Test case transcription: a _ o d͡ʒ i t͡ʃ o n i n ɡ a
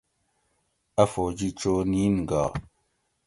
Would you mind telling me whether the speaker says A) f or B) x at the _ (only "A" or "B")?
A